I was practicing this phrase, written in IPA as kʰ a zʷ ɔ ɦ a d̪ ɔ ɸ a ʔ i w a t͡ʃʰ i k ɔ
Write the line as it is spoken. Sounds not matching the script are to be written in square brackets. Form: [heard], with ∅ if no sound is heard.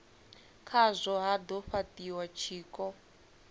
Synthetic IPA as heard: kʰ a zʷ ɔ ɦ a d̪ ɔ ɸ a [t] i w a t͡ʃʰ [iː] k ɔ